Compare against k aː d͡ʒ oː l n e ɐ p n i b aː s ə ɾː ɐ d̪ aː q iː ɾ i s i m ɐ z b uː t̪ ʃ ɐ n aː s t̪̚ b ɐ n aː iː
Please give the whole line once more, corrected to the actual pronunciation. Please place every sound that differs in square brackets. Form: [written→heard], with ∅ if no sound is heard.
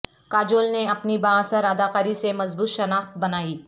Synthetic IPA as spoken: k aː d͡ʒ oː l n e ɐ p n i b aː s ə [ɾː→ɾ] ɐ d̪ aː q [iː→aː] ɾ i s [i→e] m ɐ z b uː t̪ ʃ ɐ n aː [s→x] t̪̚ b ɐ n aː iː